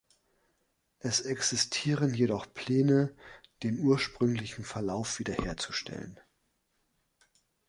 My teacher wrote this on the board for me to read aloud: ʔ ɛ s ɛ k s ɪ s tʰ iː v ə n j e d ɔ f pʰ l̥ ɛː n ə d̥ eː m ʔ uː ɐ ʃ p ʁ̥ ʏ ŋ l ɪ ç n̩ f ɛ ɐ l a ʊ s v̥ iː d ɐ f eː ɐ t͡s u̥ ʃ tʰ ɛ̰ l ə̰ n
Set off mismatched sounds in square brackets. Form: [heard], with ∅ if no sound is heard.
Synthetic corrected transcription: ʔ ɛ s ɛ k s ɪ s tʰ iː [ʁ] ə n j e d ɔ [χ] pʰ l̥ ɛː n ə d̥ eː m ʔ uː ɐ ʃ p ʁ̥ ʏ ŋ l ɪ ç n̩ f ɛ ɐ l a ʊ [f] v̥ iː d ɐ [h] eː ɐ t͡s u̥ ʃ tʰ ɛ̰ l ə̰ n

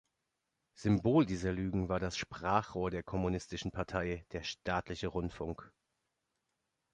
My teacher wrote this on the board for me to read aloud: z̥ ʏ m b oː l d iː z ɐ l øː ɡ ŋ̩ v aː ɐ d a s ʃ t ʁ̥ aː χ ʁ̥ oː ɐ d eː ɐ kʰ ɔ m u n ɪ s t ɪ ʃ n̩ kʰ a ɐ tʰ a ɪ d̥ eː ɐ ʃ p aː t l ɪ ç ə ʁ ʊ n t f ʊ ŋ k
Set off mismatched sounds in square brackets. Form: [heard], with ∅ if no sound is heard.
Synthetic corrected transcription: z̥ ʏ m b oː l d iː z ɐ l [yː] ɡ ŋ̩ v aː ɐ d a s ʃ [p] ʁ̥ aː χ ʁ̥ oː ɐ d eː ɐ kʰ ɔ m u n ɪ s t ɪ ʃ n̩ [pʰ] a ɐ tʰ a ɪ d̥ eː ɐ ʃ [t] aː t l ɪ ç ə ʁ ʊ n t f ʊ ŋ k

